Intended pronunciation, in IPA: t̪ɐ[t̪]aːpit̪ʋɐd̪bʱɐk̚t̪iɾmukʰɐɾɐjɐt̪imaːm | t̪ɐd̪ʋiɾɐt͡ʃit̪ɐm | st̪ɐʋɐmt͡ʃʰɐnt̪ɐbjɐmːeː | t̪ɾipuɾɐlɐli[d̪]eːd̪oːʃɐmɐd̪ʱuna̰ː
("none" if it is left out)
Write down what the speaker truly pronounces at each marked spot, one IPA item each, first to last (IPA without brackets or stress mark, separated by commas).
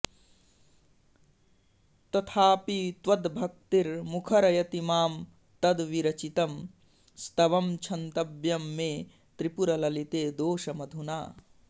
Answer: t̪ʰ, t̪